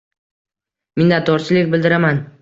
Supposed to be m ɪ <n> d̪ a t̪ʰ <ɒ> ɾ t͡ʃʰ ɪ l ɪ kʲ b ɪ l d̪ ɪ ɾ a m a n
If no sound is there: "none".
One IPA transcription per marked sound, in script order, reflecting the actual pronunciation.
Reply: n, ɒ

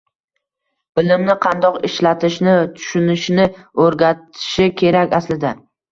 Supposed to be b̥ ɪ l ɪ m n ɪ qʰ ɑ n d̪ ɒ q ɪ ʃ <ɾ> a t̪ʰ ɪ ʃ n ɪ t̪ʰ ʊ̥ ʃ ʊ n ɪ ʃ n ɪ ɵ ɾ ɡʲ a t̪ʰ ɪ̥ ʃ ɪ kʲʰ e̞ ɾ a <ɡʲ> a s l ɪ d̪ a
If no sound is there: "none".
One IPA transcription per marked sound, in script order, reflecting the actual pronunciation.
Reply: l, kʲ

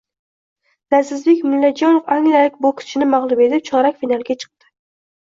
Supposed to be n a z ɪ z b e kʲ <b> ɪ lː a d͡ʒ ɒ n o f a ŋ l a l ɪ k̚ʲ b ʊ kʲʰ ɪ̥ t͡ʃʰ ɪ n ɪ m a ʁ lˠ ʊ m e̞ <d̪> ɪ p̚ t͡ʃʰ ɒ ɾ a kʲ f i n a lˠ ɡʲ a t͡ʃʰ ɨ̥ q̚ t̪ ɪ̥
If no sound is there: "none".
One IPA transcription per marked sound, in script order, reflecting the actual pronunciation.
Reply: m, t̪

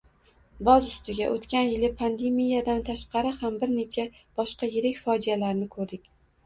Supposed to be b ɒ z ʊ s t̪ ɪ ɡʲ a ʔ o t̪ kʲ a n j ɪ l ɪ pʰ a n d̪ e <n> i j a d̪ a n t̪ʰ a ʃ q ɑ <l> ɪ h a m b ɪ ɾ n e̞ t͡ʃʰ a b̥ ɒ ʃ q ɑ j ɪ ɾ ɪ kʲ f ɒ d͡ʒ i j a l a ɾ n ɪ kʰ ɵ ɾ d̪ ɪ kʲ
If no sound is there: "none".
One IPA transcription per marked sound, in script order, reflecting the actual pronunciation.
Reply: m, ɾ

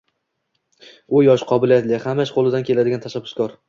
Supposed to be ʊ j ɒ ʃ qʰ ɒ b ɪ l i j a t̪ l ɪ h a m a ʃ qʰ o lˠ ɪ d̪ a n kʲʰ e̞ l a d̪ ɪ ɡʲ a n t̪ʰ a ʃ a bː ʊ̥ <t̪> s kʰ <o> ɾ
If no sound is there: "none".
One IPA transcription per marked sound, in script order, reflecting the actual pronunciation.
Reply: none, ɒ

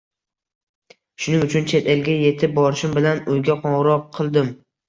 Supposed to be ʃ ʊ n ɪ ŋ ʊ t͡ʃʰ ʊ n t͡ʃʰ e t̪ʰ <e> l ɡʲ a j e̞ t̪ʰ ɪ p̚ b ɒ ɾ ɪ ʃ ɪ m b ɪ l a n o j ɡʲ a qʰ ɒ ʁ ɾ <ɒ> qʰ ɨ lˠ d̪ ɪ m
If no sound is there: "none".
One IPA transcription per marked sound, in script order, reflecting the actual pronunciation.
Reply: e, ɒ

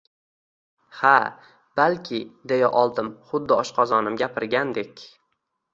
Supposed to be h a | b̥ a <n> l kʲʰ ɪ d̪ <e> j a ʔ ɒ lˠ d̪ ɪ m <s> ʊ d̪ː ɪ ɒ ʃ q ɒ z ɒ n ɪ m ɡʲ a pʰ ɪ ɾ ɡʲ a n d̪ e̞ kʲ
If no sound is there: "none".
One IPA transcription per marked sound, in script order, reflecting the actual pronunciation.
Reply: none, e, χ

